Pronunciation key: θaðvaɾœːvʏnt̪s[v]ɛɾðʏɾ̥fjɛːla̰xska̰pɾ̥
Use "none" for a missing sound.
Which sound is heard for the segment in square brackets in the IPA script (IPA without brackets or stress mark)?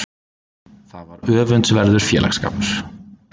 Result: v